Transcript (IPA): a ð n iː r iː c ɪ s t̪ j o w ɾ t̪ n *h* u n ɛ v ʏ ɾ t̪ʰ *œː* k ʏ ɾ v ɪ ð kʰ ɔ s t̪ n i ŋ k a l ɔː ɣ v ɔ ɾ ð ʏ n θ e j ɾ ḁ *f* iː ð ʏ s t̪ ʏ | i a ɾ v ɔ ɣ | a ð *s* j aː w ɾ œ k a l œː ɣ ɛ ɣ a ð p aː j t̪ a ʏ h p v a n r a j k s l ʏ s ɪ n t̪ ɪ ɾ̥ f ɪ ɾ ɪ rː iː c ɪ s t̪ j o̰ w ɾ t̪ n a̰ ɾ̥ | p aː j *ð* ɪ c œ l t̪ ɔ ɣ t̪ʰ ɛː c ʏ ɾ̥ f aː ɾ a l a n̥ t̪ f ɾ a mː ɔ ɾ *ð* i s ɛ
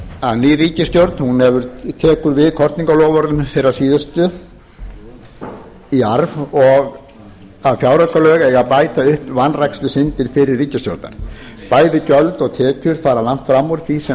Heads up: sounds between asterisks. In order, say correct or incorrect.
correct, incorrect: ɛː, incorrect: s, incorrect: f, correct, incorrect: θ

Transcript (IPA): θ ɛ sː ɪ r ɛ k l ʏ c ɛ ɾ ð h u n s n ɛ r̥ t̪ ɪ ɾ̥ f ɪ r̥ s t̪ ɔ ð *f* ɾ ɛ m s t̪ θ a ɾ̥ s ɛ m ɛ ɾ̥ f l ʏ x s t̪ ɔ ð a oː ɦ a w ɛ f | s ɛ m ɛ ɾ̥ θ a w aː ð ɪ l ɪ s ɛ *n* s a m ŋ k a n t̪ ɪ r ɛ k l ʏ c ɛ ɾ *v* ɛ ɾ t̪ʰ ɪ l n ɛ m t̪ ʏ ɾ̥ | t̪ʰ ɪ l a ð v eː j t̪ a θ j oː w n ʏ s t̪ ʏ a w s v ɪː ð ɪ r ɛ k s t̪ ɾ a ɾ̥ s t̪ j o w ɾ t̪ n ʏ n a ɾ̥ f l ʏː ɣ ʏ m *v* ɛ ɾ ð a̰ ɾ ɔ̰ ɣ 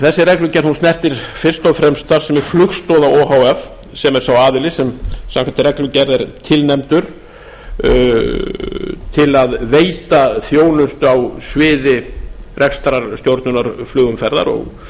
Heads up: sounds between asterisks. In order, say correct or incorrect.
correct, incorrect: m, incorrect: ð, incorrect: f

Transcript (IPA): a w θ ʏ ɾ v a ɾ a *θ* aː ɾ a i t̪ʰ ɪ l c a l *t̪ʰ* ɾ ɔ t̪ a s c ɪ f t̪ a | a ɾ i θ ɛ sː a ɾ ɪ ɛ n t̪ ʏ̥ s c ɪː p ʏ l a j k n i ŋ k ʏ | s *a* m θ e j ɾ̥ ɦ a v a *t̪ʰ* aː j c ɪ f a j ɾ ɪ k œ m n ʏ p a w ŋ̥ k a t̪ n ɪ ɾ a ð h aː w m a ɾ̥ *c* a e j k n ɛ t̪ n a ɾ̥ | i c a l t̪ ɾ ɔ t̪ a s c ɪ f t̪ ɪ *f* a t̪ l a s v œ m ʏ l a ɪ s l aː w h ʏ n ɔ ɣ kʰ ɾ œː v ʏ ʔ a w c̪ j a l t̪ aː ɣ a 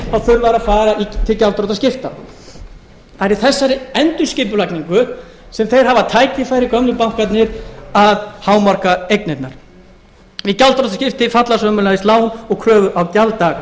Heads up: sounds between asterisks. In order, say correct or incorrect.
incorrect: f, incorrect: t̪, incorrect: ɛ, correct, incorrect: k, correct

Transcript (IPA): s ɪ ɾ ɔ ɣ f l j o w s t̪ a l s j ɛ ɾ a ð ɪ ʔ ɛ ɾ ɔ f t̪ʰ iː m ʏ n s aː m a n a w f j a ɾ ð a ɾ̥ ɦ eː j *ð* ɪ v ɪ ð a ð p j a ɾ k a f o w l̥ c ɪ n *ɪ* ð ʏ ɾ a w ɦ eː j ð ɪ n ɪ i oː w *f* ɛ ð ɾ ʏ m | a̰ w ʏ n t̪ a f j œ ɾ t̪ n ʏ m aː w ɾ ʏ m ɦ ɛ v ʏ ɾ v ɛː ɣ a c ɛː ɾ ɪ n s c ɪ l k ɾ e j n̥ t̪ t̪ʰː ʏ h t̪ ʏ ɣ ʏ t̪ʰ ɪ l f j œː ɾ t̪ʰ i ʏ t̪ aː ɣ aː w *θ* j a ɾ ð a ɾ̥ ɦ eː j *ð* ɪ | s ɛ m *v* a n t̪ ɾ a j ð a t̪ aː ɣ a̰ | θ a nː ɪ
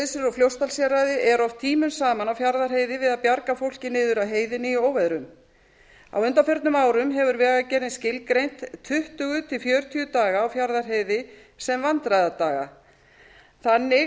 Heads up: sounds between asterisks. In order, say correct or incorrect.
correct, incorrect: ɪː, incorrect: v, incorrect: f, correct, correct

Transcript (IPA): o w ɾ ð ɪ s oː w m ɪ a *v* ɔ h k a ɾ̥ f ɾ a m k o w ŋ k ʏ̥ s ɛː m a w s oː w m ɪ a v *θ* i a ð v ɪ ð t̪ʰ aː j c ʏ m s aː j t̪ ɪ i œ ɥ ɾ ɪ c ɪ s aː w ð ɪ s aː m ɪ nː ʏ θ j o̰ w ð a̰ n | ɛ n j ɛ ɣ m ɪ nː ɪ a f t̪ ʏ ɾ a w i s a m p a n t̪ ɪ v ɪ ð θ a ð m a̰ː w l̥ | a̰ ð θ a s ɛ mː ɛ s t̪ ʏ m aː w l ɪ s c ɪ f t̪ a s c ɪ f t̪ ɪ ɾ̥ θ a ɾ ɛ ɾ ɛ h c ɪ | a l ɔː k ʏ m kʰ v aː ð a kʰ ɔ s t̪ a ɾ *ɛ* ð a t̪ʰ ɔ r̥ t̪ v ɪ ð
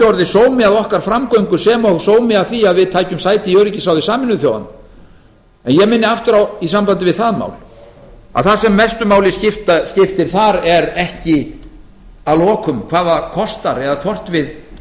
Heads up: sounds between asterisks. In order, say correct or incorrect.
incorrect: ð, correct, correct

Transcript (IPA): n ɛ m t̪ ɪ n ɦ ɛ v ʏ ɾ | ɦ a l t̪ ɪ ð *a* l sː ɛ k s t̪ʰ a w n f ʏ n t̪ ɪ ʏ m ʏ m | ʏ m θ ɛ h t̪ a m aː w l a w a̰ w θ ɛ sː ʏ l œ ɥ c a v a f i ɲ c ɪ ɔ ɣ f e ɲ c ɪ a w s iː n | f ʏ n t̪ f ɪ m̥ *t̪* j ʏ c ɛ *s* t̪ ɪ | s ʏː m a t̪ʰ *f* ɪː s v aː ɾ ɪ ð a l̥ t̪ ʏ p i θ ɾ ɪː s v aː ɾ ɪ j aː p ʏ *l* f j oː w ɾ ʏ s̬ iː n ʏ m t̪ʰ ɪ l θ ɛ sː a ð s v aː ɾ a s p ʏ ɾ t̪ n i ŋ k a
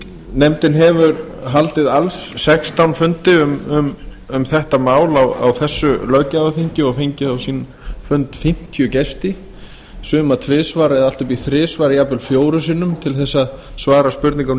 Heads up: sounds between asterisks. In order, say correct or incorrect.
correct, incorrect: t̪ʰ, correct, incorrect: v, correct

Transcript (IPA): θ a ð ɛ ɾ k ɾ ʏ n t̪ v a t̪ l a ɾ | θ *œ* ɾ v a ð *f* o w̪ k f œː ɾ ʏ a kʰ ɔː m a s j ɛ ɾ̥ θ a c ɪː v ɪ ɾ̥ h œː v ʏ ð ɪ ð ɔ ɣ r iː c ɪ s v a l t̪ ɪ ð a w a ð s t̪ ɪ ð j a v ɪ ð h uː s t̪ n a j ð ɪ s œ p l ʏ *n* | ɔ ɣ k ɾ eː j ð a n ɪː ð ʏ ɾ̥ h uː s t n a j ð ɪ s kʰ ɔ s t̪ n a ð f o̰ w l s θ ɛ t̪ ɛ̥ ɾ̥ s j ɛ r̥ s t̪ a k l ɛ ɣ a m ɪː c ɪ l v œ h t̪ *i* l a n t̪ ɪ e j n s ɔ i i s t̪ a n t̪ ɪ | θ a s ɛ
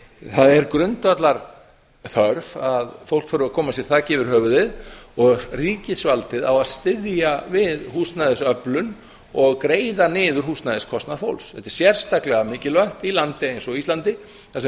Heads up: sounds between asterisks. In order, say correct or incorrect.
correct, correct, correct, correct

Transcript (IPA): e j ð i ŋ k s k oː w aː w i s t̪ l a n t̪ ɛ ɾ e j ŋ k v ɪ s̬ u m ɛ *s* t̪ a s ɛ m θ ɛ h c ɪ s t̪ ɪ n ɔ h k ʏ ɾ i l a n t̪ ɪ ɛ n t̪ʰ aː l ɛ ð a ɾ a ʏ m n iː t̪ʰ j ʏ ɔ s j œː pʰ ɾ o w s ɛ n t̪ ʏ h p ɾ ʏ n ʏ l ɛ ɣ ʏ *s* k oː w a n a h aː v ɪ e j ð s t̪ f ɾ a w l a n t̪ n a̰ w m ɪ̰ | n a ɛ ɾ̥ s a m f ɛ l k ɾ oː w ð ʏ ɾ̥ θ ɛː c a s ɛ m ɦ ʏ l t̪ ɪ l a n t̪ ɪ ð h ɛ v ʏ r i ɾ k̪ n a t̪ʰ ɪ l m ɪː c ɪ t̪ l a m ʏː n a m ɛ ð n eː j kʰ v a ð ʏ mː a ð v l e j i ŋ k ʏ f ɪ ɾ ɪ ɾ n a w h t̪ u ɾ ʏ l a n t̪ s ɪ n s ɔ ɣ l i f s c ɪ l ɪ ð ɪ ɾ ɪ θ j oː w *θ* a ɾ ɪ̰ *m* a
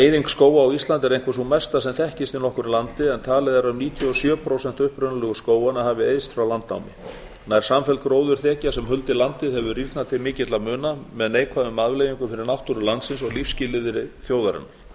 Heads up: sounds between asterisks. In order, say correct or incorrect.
correct, correct, incorrect: ð, incorrect: n

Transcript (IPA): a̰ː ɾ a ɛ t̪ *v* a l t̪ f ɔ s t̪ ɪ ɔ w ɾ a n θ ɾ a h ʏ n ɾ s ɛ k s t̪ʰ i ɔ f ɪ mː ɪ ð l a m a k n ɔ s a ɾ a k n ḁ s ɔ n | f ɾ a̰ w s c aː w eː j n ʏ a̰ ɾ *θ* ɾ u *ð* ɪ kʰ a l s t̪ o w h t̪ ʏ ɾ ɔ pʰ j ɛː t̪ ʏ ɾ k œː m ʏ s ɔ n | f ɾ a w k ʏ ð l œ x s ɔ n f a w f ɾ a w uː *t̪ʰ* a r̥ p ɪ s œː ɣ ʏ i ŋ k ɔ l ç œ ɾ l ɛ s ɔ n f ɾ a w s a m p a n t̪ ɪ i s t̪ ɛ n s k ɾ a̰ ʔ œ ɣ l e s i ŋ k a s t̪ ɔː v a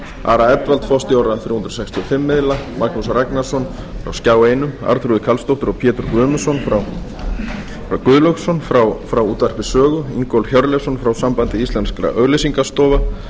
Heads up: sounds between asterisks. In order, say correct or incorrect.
correct, correct, correct, incorrect: t̪

